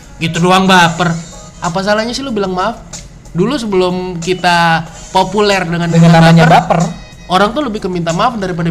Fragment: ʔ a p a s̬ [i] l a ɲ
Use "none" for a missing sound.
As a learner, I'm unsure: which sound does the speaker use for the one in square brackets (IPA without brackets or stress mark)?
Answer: a